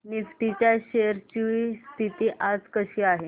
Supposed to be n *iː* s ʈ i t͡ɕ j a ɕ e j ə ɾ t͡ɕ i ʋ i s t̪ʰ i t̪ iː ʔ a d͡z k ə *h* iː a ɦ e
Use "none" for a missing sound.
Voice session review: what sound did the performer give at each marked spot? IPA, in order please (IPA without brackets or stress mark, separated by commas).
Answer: i, ɕ